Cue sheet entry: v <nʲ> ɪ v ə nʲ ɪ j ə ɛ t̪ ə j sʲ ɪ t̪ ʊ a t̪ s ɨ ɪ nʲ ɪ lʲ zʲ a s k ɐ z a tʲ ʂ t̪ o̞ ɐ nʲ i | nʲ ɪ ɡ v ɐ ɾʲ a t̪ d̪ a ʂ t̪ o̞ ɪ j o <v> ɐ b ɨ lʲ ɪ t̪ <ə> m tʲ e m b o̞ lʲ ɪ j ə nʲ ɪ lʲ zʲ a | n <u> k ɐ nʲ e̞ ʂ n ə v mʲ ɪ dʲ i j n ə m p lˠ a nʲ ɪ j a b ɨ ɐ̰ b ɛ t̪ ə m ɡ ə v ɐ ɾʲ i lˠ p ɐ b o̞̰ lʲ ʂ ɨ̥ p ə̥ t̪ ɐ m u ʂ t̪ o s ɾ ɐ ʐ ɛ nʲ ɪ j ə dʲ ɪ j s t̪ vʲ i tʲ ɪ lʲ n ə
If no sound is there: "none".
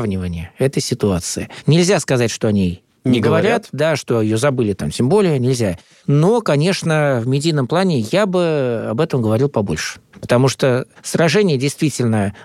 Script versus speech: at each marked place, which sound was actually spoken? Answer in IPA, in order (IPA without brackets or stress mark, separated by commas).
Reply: nʲ, z, a, o